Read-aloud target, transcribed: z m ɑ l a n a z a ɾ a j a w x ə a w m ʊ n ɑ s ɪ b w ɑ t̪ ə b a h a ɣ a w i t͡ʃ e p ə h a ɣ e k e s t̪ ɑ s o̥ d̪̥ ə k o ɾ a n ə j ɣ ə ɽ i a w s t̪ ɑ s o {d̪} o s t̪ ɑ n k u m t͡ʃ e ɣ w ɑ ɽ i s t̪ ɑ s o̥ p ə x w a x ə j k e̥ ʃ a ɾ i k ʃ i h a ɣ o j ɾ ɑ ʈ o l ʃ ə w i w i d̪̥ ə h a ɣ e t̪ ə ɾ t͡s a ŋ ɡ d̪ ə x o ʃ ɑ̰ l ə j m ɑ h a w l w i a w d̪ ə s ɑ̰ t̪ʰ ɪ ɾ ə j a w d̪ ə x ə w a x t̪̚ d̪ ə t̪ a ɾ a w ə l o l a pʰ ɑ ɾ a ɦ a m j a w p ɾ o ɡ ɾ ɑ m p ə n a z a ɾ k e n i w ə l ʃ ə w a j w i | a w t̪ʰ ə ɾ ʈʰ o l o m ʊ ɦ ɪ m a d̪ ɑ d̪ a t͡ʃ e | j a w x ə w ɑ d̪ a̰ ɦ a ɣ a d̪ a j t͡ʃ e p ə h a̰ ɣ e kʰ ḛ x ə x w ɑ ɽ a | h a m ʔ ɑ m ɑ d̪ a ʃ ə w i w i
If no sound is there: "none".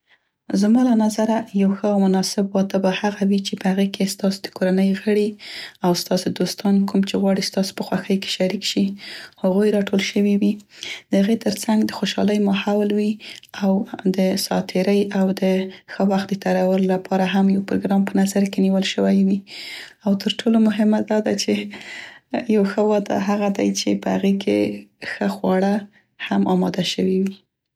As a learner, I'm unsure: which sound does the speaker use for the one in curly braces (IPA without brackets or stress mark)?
d̪